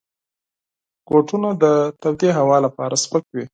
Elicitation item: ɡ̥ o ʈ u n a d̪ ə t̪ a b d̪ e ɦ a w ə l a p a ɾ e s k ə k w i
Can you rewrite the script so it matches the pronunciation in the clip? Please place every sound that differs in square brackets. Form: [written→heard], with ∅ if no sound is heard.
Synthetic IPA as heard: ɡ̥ o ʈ u n a d̪ ə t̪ a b d̪ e ɦ a w [ə→ɑ] l a p [a→ɑ] ɾ [e→a] s [k→p] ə k w i